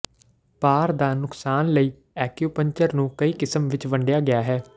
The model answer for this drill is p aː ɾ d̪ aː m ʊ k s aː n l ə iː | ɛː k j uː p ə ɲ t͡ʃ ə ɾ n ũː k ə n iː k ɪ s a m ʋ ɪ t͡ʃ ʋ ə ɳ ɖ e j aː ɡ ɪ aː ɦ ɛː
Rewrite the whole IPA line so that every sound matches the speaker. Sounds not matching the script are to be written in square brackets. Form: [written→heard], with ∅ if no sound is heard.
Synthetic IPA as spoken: p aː ɾ d̪ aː [m→n] ʊ k s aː n l ə iː | ɛː k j uː p ə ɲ t͡ʃ ə ɾ n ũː k ə [n→∅] iː k ɪ s [a→ə] m ʋ ɪ t͡ʃ ʋ ə ɳ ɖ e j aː ɡ ɪ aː ɦ ɛː